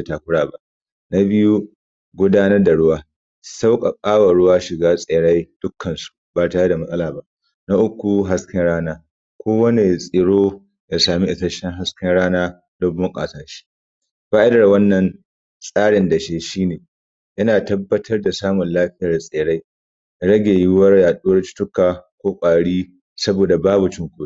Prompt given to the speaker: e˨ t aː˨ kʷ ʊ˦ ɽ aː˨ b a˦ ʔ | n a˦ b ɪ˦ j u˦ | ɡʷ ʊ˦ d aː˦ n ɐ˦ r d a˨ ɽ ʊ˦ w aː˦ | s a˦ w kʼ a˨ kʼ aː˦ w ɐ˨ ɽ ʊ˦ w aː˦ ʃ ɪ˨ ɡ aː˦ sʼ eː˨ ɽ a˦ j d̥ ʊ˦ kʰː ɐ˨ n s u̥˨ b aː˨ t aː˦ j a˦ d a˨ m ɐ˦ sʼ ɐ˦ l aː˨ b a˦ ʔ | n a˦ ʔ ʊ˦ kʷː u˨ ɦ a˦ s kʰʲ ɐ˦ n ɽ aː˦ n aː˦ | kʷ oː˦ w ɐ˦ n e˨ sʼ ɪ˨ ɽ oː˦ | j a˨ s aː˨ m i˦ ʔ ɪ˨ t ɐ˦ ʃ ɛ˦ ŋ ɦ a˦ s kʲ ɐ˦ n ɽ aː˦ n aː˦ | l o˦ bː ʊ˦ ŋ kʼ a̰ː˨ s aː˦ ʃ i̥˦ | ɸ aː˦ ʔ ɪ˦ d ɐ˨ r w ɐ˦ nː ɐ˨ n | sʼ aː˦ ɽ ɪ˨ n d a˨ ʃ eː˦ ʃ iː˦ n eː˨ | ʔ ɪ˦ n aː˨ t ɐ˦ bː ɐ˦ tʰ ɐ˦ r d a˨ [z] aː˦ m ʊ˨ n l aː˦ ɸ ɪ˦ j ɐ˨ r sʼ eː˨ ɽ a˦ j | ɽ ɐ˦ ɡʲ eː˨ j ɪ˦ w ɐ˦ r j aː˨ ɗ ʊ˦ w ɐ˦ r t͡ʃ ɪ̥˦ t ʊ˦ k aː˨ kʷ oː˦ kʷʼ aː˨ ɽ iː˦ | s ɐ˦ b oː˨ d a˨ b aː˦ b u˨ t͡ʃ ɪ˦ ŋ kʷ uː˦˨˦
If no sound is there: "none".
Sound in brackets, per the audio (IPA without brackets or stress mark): s